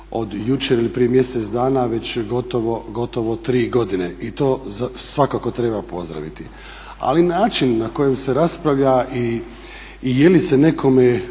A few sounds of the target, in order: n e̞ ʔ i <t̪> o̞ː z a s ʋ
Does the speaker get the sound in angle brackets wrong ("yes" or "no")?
no